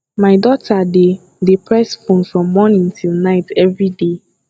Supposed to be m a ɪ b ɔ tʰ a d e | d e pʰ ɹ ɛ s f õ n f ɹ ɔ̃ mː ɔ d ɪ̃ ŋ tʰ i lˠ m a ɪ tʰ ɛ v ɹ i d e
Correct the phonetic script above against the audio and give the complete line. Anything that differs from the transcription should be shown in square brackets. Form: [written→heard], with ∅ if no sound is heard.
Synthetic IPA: m a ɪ [b→d] ɔ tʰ a d e | d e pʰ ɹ ɛ s f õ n f ɹ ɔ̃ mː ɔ [d→n] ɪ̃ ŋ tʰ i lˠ [m→n] a ɪ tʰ ɛ v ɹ i d e